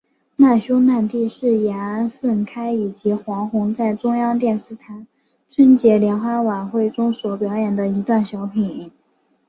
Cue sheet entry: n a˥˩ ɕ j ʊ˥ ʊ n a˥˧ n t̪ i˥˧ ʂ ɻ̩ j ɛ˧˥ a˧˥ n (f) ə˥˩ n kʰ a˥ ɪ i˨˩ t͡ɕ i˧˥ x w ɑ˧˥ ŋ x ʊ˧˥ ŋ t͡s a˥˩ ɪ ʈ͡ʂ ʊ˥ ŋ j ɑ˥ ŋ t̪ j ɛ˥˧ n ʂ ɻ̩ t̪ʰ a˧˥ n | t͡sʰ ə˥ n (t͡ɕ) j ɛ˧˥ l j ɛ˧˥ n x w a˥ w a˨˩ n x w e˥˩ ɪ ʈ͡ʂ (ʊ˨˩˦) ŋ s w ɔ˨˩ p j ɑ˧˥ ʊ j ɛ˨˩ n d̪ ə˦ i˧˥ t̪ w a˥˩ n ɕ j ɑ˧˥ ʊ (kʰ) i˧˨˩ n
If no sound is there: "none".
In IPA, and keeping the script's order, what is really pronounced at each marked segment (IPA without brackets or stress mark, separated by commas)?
f, t͡ɕ, ʊ˥, pʰ